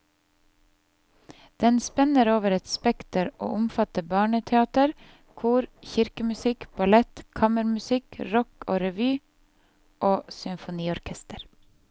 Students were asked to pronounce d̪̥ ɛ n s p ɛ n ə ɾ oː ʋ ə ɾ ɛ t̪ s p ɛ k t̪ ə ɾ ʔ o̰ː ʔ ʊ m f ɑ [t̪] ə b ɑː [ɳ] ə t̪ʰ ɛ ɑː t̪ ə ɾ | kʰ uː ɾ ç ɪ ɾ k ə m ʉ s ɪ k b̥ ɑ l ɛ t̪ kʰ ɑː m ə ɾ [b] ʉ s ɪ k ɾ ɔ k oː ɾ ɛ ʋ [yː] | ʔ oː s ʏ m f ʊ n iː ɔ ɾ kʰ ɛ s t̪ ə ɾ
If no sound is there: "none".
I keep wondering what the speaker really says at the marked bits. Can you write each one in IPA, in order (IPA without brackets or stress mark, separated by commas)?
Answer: t̪, ɳ, m, yː